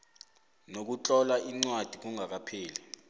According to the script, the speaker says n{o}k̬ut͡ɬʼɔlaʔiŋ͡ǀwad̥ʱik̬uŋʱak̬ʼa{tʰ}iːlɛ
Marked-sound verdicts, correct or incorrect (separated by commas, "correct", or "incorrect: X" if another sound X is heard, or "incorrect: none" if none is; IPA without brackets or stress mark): correct, incorrect: pʰ